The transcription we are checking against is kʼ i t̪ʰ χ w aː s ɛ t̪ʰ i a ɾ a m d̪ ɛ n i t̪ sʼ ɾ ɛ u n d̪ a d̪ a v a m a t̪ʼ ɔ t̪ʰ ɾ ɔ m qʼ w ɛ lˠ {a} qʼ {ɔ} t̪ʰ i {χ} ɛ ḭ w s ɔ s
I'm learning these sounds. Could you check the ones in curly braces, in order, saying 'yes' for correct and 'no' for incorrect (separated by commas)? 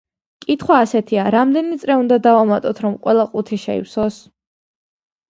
yes, no, no